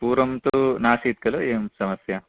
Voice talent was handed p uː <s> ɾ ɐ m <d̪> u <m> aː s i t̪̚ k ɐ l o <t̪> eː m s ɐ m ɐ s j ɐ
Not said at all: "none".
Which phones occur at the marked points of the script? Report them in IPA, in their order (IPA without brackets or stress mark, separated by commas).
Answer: none, t̪, n, none